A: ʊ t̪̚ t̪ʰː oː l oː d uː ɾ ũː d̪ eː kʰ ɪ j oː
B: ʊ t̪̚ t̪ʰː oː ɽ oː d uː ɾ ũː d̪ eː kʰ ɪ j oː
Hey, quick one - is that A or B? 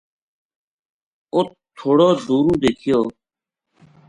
B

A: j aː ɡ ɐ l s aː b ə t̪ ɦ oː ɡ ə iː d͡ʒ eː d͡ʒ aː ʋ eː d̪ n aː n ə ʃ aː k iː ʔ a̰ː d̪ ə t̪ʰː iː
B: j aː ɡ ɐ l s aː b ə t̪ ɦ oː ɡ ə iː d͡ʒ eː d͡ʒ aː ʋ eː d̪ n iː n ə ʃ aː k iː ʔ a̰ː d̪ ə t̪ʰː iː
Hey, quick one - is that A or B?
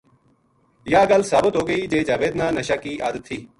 A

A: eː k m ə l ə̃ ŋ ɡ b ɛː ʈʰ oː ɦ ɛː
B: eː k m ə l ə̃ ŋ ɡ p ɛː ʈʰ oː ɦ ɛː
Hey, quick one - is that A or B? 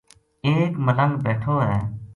A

